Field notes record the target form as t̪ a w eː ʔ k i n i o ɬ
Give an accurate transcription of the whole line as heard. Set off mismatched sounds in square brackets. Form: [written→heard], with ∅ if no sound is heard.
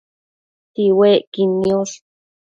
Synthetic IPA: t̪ [a→i] w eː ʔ k i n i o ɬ